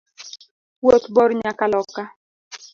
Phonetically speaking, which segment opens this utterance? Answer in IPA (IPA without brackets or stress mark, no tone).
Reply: w